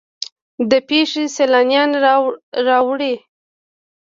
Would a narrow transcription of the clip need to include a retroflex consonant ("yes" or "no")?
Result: yes